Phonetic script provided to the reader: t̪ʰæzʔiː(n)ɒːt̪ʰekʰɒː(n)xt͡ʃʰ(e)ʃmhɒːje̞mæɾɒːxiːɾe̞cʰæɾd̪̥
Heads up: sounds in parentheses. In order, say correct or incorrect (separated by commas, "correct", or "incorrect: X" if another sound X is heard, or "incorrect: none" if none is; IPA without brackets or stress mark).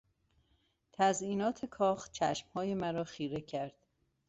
correct, incorrect: none, incorrect: æ